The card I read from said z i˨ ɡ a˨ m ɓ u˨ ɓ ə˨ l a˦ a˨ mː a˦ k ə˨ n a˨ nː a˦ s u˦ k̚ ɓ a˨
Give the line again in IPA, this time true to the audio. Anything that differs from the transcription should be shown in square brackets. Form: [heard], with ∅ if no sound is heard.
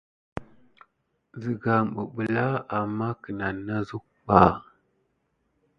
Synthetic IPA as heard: z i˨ ɡ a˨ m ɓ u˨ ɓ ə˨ l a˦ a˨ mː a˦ k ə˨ n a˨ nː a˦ [z] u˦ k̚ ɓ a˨